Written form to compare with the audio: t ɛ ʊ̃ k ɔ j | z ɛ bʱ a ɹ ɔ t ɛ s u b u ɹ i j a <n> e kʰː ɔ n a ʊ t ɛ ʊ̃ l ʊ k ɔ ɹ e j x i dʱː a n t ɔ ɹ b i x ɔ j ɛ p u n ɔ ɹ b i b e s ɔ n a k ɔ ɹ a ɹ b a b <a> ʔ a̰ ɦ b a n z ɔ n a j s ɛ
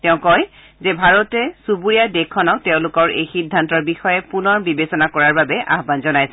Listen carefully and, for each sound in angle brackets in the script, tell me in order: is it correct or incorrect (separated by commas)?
incorrect, incorrect